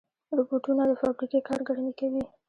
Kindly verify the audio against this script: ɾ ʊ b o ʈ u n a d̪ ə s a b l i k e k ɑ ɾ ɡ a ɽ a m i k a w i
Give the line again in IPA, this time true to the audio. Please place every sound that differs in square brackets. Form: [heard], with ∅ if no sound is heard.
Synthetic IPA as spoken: ɾ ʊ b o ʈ u n a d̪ ə [f] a b [ɾ] i k e k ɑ ɾ ɡ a ɽ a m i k a w i